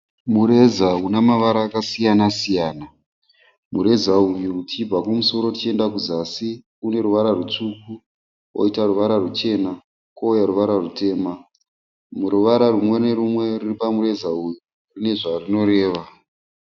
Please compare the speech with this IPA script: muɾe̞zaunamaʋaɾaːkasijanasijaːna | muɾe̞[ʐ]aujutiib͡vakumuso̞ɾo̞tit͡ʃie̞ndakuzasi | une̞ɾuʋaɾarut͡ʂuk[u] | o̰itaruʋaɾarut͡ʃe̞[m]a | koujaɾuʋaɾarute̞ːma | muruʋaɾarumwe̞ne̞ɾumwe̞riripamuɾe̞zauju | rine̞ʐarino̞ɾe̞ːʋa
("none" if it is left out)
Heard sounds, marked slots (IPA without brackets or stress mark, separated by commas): z, u, n